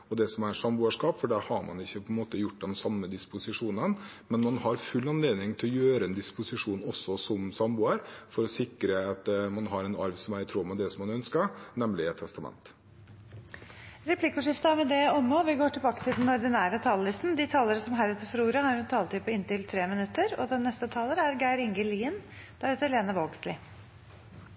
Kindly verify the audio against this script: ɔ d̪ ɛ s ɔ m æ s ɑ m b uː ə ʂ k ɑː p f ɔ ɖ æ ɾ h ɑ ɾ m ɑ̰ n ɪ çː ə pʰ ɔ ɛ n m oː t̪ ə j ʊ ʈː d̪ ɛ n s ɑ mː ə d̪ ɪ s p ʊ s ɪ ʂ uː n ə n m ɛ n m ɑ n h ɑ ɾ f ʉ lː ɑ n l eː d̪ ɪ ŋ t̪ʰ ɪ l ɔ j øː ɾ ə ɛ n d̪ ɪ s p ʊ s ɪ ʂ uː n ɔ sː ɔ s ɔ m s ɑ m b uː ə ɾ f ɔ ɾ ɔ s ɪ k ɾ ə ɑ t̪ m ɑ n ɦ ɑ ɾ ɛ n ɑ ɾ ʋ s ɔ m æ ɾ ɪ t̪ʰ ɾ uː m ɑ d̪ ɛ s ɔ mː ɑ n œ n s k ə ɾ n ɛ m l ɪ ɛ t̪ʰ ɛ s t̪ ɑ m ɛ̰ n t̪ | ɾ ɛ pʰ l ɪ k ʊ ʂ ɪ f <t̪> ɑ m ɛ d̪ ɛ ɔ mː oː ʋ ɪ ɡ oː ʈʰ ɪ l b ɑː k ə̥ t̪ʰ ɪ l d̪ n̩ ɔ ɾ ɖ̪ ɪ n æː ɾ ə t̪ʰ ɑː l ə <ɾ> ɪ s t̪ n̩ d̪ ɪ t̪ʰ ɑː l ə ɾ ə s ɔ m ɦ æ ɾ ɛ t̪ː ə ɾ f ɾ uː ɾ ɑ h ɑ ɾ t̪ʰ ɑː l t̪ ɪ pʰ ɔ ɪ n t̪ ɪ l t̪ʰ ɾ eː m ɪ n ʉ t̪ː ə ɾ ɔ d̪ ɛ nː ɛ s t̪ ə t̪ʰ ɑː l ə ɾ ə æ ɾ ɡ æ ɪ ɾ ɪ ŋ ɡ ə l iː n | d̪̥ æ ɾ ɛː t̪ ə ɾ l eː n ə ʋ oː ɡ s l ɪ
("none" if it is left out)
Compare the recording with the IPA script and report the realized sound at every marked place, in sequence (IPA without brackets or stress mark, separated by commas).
t̪, l